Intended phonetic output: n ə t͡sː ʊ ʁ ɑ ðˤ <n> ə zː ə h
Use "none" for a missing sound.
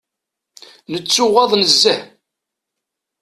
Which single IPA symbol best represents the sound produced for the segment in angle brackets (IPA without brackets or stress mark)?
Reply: n